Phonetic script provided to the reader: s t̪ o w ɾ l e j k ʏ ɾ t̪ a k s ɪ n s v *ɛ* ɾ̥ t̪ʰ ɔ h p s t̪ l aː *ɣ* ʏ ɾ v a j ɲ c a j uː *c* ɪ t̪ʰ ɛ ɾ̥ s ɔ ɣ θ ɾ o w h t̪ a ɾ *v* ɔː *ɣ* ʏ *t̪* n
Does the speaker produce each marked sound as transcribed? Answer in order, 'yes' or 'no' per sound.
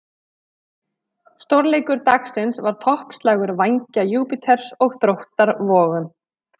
no, yes, no, yes, yes, no

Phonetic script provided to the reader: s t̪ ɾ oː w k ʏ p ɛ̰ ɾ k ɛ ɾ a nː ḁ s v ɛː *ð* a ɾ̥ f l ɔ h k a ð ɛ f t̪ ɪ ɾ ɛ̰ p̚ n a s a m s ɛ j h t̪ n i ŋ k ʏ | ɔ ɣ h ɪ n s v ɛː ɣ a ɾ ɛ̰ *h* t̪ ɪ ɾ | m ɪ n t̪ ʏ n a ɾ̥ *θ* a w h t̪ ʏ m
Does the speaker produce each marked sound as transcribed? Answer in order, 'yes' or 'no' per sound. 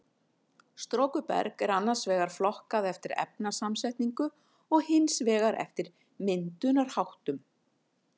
no, no, no

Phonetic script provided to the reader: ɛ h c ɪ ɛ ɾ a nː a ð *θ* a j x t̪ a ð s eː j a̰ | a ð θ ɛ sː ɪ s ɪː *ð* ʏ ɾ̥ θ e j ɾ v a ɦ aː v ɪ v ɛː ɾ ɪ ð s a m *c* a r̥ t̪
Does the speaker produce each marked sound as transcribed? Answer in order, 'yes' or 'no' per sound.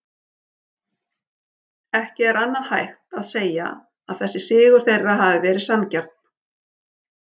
no, no, yes

